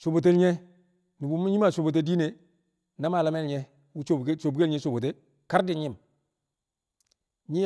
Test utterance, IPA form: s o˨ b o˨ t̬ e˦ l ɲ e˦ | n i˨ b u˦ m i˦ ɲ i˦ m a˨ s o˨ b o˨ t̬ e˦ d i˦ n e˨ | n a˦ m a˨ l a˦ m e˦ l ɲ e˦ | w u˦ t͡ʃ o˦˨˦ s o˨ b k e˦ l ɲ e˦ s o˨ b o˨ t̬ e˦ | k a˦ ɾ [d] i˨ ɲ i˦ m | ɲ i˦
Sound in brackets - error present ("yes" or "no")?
no